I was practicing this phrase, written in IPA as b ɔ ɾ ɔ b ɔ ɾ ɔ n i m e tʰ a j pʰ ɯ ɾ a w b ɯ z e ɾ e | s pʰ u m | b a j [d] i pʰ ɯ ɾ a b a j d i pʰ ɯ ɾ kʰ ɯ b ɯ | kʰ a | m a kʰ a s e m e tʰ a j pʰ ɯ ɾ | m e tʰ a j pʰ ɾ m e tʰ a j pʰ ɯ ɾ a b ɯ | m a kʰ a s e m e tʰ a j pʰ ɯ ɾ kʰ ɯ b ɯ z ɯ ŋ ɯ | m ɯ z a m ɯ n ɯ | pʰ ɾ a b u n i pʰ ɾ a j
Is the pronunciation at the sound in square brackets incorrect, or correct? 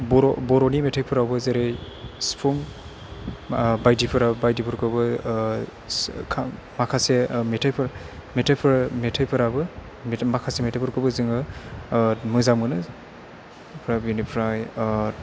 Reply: correct